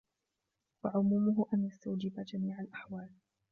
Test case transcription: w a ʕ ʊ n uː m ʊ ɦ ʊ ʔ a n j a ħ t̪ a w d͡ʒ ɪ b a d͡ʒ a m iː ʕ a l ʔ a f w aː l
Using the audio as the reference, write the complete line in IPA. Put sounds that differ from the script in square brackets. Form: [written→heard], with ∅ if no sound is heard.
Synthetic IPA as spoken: w a ʕ ʊ [n→m] uː m ʊ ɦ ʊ ʔ a n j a [ħ→s] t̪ a w d͡ʒ ɪ b a d͡ʒ a m iː ʕ a l ʔ a [f→ħ] w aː l